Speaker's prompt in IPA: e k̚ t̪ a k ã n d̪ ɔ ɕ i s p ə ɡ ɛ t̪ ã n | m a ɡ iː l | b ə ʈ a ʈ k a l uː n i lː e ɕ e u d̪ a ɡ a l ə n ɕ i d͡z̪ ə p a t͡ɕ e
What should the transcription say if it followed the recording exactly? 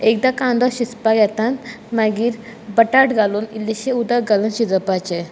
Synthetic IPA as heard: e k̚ d̪ a k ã n d̪ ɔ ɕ i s p a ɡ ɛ t̪ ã n | m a ɡ iː ɾ | b ə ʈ a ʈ ɡ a l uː n i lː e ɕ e u d̪ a ɡ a l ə n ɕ i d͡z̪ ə p a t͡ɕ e